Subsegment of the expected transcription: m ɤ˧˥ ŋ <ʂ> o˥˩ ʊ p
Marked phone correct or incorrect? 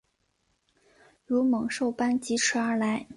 correct